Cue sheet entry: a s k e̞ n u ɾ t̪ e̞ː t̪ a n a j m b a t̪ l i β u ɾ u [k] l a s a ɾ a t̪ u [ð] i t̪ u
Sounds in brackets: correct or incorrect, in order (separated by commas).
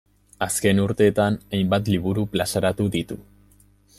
incorrect, correct